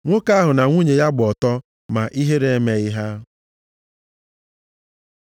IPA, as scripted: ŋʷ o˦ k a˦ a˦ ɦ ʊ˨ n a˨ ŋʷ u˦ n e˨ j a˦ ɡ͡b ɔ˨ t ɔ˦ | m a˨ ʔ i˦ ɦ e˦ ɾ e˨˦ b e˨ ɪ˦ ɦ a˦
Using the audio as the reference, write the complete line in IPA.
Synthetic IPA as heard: ŋʷ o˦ k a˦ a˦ ɦ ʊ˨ n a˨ ŋʷ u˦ ɲ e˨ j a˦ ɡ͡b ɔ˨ t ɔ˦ | m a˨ ʔ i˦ ɦ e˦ ɾ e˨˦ m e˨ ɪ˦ ɦ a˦